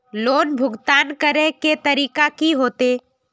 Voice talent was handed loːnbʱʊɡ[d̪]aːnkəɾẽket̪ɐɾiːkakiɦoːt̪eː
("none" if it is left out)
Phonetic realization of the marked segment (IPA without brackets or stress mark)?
t̪